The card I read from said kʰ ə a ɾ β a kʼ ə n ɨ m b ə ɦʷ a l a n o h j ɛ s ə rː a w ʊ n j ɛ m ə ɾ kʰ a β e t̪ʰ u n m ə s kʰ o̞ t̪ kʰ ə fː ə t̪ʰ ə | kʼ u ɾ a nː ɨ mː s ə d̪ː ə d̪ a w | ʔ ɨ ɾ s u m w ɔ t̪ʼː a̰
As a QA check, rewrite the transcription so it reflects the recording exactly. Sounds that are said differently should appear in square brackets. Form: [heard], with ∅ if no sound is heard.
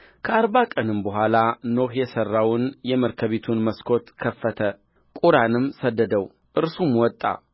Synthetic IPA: kʰ ə a ɾ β a kʼ ə n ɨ m b ə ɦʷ a l a n o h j ɛ s ə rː a w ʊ n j ɛ m ə ɾ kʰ [ə] β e t̪ʰ u n m ə s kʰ o̞ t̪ kʰ ə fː ə t̪ʰ ə | kʼ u ɾ a [n] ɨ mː s ə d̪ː ə d̪ [ə] w | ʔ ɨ ɾ s u m w ɔ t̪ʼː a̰